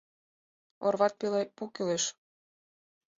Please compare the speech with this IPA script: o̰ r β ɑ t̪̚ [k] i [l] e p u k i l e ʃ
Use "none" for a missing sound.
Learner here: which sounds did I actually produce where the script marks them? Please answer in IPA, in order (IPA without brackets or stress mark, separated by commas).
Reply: p, l